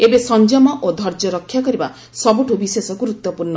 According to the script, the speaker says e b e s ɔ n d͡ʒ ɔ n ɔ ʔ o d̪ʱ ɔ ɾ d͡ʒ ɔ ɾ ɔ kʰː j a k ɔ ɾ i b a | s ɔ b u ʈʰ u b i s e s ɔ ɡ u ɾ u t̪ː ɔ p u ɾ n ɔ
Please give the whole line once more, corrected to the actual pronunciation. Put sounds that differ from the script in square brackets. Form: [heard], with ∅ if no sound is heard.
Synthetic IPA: e b e s ɔ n d͡ʒ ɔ [m] ɔ ʔ o d̪ʱ ɔ ɾ d͡ʒ ɔ ɾ ɔ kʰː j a k ɔ ɾ i b a | s ɔ b u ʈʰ u b i s e s ɔ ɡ u ɾ u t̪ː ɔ p u ɾ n ɔ